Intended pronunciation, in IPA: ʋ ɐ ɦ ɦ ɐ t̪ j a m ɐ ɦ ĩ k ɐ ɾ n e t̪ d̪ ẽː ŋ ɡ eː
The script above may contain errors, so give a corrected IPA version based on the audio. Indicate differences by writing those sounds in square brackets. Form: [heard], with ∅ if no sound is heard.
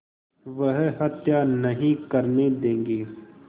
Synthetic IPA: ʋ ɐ ɦ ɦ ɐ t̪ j a [n] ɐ ɦ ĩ k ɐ ɾ n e [∅] d̪ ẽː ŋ ɡ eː